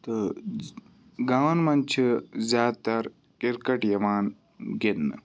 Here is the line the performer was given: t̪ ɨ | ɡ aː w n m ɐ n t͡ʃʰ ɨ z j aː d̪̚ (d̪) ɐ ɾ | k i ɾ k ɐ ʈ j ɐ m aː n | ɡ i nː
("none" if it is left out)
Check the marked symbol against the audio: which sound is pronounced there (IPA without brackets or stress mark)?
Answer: t̪